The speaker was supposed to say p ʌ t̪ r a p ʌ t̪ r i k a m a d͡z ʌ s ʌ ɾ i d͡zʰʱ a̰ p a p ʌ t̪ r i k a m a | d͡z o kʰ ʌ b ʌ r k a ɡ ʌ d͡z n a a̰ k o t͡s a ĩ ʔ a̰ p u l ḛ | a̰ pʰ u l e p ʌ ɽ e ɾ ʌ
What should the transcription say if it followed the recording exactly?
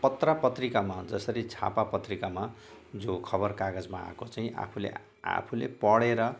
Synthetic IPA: p ʌ t̪ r a p ʌ t̪ r i k a m a d͡z ʌ s ʌ ɾ i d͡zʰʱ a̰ p a p ʌ t̪ r i k a m a | d͡z o kʰ ʌ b ʌ r k a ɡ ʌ d͡z m a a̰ k o t͡s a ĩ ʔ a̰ pʰ u l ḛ | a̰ pʰ u l e p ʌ ɽ e ɾ ʌ